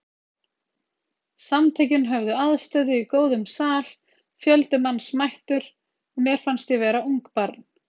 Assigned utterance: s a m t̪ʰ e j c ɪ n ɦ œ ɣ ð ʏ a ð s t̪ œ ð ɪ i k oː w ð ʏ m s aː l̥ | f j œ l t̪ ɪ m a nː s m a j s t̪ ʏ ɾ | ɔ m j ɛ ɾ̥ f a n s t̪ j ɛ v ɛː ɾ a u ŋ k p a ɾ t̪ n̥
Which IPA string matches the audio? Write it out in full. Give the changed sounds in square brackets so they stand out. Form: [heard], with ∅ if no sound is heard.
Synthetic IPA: s a m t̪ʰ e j c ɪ n ɦ œ [v] ð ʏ a ð s t̪ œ ð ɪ i k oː w ð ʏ m s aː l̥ | f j œ l t̪ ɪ m a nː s m a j [h] t̪ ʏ ɾ | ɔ m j ɛ ɾ̥ f a n s t̪ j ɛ v ɛː ɾ a u ŋ k p a ɾ t̪ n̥